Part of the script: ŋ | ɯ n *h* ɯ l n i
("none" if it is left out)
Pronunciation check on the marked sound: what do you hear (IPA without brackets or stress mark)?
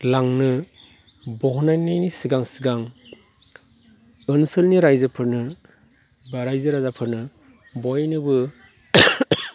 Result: s